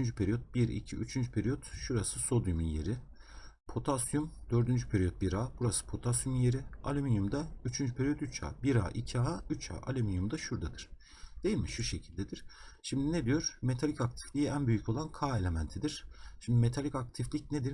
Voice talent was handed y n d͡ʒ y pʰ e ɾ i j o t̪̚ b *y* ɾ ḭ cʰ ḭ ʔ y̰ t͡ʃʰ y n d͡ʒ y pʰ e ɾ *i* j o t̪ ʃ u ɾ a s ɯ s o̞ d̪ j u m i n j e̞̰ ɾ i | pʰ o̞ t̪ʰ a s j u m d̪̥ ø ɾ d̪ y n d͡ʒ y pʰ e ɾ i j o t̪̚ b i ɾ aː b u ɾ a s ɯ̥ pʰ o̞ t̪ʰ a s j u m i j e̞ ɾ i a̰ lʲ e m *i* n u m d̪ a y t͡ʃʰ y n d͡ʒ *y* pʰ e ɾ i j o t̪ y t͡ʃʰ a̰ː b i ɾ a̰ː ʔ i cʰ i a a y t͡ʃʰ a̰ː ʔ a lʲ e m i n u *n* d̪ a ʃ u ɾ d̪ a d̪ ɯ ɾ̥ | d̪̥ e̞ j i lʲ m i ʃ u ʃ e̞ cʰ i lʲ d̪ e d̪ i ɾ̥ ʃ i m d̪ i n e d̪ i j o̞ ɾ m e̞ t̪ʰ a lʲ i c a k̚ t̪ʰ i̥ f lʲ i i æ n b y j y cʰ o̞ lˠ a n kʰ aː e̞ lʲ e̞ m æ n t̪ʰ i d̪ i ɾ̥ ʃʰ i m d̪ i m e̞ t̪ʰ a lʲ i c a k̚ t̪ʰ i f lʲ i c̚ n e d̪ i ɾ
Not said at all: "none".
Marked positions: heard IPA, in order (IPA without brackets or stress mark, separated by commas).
i, i, i, y, m